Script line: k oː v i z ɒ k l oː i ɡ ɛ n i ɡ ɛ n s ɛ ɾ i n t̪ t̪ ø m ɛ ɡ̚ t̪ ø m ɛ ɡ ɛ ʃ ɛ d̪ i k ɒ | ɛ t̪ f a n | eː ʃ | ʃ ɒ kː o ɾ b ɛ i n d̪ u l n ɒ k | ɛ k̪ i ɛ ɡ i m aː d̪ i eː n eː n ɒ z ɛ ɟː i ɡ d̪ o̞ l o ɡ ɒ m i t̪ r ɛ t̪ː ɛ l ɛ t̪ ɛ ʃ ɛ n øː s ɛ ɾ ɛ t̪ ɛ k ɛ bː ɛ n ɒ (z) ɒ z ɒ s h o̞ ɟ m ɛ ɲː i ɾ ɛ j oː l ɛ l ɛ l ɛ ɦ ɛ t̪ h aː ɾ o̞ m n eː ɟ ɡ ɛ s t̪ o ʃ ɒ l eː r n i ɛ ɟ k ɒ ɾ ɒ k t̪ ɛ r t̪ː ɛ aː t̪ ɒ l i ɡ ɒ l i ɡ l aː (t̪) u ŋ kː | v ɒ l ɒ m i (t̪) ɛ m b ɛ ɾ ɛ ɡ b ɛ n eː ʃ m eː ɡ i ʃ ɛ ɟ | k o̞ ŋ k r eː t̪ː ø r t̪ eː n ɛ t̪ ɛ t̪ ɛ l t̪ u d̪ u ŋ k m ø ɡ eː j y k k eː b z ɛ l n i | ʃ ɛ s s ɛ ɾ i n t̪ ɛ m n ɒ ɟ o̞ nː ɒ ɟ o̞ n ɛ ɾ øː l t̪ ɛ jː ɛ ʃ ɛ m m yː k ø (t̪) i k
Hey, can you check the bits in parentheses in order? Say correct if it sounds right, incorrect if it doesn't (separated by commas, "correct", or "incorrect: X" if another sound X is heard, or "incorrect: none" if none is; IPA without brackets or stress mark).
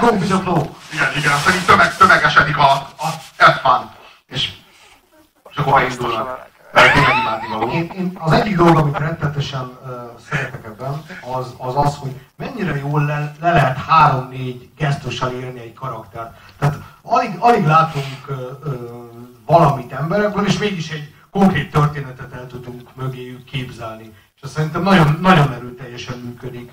correct, correct, correct, incorrect: d̪